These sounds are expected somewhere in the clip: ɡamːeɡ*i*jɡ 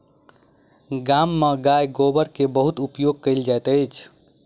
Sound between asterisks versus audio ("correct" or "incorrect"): incorrect